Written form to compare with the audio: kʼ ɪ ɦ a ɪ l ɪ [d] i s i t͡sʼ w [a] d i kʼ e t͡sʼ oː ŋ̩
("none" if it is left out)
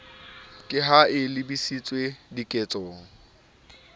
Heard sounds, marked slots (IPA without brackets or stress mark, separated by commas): b, e